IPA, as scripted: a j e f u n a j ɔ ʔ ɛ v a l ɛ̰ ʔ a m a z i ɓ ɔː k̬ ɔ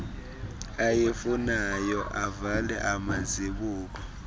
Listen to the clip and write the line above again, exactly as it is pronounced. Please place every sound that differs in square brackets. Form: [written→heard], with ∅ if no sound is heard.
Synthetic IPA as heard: a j e f u n a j ɔ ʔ [ɛ→a] v a l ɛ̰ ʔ a m a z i ɓ [ɔː→uː] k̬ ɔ